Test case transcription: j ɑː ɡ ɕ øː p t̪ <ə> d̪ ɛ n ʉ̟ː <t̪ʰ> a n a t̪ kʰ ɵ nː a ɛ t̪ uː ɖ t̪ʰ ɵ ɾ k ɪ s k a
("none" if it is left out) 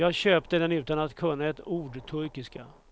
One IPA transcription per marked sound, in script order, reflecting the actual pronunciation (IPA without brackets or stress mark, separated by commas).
ə, t̪